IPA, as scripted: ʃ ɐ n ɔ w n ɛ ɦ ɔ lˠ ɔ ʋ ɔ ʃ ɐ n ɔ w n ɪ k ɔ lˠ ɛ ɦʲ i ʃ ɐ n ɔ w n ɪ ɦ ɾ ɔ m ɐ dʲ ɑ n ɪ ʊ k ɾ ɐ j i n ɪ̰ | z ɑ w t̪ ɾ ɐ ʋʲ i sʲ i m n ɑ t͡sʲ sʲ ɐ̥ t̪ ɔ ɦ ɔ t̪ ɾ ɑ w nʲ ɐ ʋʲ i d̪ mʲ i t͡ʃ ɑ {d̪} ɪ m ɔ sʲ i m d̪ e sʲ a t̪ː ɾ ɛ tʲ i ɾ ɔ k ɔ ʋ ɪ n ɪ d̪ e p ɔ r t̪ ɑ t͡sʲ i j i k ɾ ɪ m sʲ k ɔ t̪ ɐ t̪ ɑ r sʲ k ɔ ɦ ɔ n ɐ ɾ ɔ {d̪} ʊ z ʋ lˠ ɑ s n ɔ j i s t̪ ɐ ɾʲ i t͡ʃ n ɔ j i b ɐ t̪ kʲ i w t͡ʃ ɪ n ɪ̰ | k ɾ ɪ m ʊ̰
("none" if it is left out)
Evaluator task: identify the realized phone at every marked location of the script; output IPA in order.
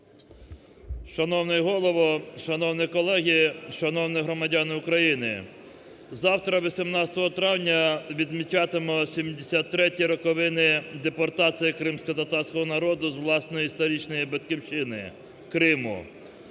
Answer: t̪, d̪

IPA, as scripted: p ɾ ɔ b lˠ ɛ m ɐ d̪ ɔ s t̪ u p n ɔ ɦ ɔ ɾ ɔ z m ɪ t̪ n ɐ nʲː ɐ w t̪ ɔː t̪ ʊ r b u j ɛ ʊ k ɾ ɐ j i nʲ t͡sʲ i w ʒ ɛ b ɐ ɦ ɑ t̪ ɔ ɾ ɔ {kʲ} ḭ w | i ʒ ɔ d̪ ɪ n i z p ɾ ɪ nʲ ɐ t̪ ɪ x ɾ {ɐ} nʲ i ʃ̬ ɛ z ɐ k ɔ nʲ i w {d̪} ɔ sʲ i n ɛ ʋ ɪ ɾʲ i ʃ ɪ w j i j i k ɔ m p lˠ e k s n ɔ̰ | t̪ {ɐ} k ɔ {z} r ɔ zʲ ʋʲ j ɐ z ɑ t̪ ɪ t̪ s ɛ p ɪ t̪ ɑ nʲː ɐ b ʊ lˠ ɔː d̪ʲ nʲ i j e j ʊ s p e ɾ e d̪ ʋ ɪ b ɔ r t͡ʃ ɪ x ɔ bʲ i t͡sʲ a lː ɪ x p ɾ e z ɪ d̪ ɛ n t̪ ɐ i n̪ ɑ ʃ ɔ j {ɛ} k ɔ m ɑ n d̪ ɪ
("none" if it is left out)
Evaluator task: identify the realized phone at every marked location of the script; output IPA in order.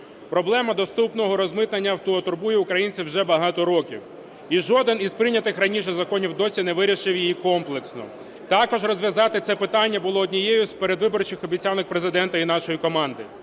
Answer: kʲ, ɐ, d̪, ɑ, ʒ, i

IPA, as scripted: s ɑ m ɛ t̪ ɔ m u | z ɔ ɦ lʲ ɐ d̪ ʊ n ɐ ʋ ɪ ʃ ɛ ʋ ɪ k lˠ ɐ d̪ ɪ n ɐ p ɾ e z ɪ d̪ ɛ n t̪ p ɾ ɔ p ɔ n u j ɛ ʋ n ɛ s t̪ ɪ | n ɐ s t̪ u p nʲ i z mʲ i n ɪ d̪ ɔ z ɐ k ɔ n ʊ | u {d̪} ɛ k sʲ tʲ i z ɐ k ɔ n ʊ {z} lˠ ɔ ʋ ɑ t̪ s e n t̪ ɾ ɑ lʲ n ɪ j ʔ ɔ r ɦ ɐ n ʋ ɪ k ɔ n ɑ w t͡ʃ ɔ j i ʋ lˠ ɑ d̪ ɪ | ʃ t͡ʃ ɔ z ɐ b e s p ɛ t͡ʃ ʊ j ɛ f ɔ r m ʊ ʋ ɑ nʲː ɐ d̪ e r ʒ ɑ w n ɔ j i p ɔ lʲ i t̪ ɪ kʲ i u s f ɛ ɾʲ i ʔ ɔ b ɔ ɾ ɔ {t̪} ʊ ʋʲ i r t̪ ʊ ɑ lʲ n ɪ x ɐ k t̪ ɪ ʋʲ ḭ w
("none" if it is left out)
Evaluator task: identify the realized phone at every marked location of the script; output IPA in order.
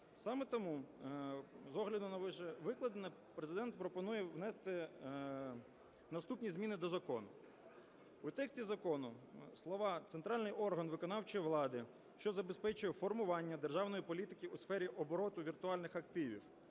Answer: t̪, s, t̪

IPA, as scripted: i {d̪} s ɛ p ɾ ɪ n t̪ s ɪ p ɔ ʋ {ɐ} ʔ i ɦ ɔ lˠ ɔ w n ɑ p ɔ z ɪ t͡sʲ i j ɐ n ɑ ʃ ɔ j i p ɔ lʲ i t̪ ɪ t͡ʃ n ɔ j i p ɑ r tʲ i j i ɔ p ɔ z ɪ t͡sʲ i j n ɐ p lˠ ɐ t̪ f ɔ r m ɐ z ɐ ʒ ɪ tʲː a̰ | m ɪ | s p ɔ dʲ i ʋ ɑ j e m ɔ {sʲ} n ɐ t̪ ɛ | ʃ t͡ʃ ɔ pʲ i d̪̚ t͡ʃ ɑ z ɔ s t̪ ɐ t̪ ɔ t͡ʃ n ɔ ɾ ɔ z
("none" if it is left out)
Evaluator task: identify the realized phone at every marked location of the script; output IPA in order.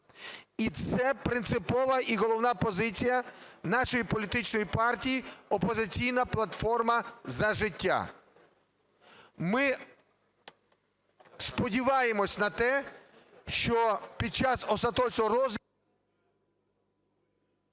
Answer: t̪, ɐ, sʲ

